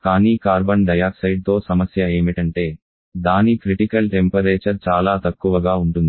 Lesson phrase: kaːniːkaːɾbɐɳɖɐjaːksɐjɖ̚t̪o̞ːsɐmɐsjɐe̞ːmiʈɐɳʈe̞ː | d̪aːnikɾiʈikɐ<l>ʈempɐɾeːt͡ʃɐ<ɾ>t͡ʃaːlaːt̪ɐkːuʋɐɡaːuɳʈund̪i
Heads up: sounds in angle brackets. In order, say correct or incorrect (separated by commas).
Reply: correct, correct